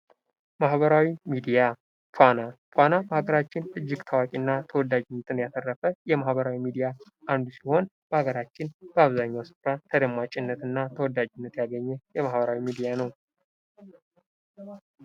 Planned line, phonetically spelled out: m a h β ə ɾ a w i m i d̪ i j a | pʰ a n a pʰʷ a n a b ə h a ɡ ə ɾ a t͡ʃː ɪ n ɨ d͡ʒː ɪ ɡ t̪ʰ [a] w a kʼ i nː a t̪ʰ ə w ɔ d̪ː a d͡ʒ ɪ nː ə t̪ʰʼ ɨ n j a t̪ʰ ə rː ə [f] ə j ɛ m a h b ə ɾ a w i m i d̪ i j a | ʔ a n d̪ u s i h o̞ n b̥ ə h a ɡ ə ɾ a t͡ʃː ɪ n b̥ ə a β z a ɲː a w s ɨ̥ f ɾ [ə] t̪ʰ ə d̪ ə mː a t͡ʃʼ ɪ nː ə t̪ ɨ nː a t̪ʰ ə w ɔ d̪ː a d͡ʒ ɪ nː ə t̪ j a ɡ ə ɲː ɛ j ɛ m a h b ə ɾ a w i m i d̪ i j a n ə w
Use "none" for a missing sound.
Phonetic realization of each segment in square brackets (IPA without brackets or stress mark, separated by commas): a, f, a